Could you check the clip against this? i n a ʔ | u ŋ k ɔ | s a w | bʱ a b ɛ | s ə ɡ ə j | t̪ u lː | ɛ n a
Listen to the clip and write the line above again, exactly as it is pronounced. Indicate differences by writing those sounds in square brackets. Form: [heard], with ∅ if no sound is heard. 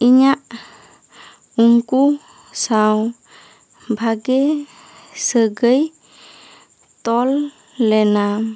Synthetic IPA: i [ɲ] a ʔ | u ŋ k [u] | s a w | bʱ a [ɡ] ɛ | s ə ɡ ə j | t̪ [ɔ] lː | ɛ n a